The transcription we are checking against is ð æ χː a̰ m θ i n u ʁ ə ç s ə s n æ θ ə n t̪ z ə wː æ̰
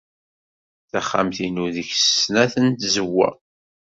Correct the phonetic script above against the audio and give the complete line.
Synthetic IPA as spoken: θ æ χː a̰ m θ i n u ð ə ç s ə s n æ θ ə n t̪ z ə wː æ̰